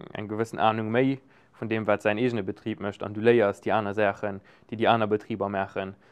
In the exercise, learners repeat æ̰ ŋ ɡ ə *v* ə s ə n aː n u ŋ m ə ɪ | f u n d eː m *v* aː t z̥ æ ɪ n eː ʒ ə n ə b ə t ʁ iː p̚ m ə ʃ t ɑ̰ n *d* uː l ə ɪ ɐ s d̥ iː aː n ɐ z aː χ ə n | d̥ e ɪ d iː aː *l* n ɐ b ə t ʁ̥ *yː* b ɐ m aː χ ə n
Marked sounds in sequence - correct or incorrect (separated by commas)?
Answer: correct, correct, correct, incorrect, incorrect